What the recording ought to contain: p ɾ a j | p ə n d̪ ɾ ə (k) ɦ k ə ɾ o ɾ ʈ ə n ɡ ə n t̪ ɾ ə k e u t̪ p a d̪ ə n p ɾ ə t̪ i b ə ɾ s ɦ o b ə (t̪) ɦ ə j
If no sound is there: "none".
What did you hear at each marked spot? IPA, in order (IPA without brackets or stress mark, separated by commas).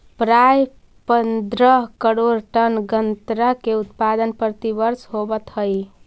none, t̪